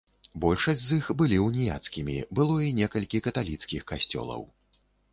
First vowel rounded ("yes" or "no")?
yes